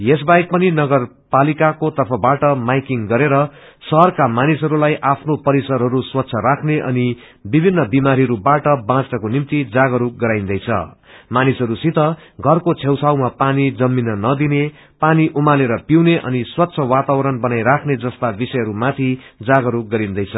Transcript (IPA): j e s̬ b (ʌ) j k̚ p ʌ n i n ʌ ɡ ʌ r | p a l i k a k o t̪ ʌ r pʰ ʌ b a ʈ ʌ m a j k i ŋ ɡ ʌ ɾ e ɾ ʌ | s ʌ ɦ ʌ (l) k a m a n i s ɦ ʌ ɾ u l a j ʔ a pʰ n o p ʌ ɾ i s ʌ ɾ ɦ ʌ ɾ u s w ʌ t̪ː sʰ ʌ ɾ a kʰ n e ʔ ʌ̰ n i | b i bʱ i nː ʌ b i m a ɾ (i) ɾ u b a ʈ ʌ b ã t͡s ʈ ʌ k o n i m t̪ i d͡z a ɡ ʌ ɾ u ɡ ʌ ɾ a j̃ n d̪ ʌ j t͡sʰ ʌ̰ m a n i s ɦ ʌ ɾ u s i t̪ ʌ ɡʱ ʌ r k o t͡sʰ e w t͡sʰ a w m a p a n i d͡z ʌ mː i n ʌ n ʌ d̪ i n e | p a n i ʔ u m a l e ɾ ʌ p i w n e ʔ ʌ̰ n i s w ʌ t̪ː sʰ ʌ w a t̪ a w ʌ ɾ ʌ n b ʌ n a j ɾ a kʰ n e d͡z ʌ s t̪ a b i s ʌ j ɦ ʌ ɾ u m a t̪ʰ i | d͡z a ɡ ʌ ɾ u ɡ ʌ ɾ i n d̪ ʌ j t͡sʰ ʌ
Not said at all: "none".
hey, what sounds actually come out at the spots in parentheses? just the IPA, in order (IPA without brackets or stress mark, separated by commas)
a, r, i